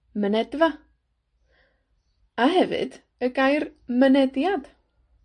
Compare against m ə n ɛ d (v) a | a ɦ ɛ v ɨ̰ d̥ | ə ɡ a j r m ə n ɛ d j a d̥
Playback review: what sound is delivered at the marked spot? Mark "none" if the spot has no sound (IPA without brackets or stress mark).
v